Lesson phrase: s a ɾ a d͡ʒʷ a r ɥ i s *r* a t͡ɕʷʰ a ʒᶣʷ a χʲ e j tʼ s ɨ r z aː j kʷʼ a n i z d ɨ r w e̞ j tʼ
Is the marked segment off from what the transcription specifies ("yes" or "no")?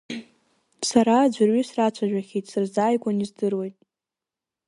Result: no